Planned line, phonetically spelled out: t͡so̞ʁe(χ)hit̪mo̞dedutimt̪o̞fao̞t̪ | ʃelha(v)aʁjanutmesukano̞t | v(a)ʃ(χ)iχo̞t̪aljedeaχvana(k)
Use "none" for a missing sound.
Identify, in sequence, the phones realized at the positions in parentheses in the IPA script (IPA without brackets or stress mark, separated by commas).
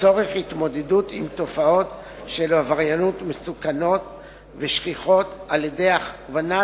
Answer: χ, v, e, χ, none